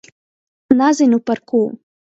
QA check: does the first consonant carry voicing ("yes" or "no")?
yes